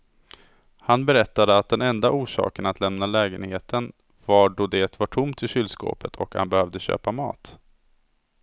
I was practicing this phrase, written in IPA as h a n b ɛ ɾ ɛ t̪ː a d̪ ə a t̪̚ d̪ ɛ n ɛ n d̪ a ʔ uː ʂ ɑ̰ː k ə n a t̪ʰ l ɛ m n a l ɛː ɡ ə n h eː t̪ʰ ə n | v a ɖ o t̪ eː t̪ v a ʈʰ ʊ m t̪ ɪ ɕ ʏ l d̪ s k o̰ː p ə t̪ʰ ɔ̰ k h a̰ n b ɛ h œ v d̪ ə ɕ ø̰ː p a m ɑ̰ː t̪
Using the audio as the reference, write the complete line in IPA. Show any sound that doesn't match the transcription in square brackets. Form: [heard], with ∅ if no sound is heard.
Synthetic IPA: h a n b ɛ ɾ ɛ t̪ː a d̪ ə a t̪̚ d̪ ɛ n ɛ n d̪ a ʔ uː ʂ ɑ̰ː k ə n a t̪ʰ l ɛ m n a l ɛː ɡ ə n h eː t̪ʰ ə n | v a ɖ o [d̪] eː t̪ v a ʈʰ ʊ m t̪ ɪ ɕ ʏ l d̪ s k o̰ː p ə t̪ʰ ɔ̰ k h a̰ n b ɛ h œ v d̪ ə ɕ ø̰ː p a m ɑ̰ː t̪